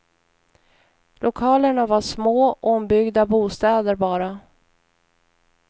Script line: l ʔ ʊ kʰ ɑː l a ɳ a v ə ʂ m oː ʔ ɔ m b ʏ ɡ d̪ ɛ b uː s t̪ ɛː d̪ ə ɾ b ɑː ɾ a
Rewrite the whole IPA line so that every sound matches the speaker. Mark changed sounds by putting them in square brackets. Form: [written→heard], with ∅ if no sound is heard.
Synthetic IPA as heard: l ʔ ʊ kʰ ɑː l [a→ə] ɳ a v [ə→a] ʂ m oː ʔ ɔ m b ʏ ɡ d̪ [ɛ→a] b uː s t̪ ɛː d̪ ə ɾ b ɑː ɾ a